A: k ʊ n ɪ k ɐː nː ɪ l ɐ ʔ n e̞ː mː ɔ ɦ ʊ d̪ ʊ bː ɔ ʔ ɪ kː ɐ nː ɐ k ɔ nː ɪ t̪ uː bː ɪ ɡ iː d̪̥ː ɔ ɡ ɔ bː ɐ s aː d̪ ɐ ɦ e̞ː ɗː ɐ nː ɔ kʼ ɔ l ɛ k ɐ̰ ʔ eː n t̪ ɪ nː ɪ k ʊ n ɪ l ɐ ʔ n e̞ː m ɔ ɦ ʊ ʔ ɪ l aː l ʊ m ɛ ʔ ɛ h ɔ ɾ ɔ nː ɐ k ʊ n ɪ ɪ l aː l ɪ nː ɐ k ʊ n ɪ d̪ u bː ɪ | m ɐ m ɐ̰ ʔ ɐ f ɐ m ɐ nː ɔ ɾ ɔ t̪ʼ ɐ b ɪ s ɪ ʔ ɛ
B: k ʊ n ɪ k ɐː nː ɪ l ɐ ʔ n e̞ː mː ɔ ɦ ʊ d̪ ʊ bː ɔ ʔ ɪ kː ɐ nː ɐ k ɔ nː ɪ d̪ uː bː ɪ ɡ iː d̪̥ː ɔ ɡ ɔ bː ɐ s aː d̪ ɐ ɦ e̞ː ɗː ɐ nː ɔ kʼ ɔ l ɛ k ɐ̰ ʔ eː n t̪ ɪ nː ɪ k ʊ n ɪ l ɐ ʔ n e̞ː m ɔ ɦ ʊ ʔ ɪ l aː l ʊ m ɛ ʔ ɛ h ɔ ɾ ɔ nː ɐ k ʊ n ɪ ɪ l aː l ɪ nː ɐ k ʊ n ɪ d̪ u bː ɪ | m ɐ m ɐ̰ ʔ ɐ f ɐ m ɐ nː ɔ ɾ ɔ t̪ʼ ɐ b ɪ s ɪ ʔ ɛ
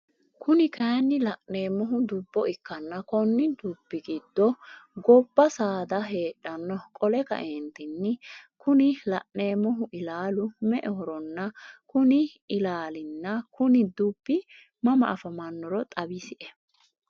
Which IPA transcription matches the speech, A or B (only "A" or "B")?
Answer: B